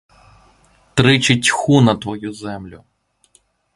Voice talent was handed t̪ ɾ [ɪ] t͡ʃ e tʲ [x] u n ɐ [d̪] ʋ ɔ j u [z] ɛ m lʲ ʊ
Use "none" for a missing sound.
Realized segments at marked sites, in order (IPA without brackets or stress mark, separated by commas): ɪ, x, t̪, z